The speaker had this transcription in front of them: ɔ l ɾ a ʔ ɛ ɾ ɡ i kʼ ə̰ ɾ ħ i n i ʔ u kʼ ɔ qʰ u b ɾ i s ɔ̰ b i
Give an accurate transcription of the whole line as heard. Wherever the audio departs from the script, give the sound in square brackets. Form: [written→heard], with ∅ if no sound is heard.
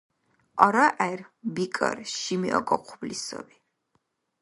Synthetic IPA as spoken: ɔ [l→∅] ɾ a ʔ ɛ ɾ [ɡ→b] i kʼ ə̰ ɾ [ħ→ʃ] i [n→m] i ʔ [u→ɔ] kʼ ɔ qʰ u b [ɾ→l] i s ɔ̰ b i